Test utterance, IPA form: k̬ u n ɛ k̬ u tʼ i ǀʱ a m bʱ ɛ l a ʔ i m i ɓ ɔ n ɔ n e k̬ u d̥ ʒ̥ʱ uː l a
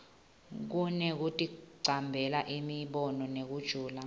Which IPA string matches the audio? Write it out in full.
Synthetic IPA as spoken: k̬ u n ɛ k̬ u tʼ i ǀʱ a m bʱ ɛ l a ʔ i m i ɓ ɔ n ɔ n e k̬ u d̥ ʒ̥ʱ uː l a